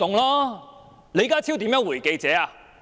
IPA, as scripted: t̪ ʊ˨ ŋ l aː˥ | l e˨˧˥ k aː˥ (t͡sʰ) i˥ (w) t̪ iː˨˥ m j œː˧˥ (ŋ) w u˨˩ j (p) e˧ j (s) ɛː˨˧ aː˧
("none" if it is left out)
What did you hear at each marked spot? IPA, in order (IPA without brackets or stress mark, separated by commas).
t͡sʰ, w, ŋ, k, t͡s